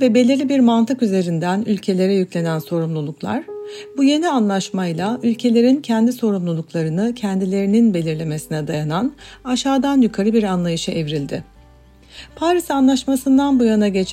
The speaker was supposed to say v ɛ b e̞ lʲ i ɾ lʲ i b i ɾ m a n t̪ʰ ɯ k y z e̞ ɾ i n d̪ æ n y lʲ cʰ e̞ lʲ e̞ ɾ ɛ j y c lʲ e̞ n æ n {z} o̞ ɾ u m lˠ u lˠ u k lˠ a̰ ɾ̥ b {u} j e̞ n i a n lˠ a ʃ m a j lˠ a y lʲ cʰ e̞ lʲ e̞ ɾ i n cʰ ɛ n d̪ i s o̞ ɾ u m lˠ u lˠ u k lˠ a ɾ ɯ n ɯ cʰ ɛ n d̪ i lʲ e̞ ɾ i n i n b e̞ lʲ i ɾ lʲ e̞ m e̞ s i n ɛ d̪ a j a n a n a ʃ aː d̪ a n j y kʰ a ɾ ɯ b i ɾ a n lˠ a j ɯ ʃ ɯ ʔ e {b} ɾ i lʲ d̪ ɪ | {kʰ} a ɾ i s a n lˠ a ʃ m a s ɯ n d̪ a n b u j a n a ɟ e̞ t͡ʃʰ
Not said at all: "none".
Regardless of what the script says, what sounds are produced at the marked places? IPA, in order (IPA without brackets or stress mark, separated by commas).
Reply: s, u, v, pʰ